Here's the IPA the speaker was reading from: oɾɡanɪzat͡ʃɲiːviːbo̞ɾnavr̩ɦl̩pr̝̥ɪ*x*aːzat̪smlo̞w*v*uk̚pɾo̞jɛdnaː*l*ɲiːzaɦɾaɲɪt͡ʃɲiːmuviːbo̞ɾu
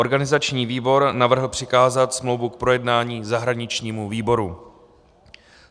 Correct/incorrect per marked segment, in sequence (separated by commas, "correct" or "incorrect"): incorrect, correct, incorrect